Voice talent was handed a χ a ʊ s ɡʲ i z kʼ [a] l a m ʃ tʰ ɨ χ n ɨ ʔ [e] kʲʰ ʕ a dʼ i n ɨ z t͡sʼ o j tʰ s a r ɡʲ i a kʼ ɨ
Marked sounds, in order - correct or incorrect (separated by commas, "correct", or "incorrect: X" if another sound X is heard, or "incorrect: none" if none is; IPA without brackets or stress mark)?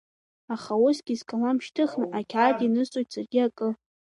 correct, incorrect: a